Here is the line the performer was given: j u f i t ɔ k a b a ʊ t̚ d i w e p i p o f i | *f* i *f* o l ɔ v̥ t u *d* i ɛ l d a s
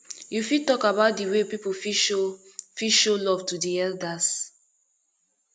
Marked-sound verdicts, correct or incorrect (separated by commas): correct, incorrect, correct